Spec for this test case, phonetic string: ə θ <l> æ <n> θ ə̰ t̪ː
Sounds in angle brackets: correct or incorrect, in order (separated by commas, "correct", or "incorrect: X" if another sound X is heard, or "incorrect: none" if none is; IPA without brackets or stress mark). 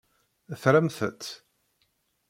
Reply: incorrect: ɾ, incorrect: m